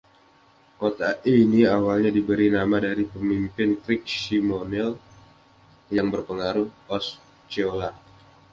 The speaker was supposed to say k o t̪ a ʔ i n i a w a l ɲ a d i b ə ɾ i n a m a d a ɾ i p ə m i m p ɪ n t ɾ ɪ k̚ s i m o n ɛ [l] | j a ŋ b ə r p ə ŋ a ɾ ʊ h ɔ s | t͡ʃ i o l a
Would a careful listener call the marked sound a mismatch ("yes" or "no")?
no